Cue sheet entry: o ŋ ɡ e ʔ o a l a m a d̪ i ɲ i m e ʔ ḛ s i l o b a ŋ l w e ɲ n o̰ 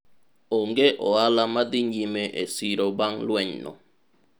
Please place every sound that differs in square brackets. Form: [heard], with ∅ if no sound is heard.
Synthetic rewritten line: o ŋ ɡ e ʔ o a l a m a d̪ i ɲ i m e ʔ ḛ s i [ɾ] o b a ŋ l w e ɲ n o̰